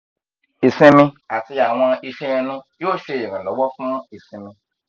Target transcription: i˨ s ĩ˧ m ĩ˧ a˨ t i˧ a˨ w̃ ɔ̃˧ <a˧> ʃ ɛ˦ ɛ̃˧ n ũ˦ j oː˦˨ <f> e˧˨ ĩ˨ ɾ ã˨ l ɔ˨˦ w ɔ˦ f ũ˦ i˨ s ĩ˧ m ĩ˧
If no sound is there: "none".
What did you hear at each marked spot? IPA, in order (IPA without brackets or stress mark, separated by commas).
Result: i˧, ʃ